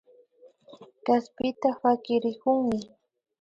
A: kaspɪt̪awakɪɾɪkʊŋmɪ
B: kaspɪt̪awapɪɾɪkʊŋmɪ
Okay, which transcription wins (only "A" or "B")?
A